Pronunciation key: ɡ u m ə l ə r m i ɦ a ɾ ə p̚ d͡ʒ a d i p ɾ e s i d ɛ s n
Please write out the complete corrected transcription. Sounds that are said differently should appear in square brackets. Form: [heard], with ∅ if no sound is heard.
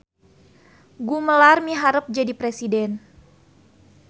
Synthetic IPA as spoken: ɡ u m ə l [a] r m i ɦ a ɾ ə p̚ d͡ʒ a d i p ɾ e s i d ɛ [∅] n